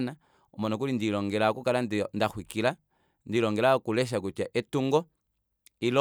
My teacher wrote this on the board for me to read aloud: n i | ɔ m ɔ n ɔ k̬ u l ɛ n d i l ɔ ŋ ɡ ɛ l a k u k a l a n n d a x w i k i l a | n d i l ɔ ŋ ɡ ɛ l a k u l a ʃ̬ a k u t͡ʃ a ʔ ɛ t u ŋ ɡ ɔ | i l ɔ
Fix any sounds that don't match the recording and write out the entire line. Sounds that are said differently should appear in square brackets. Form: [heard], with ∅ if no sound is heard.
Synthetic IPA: n [a] | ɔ m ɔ n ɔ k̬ u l [i] n d i l ɔ ŋ ɡ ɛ l a k u k a l a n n d a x w i k i l a | n d i l ɔ ŋ ɡ ɛ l a k u l [ɛ] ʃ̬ a k u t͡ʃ a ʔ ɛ t u ŋ ɡ ɔ | i l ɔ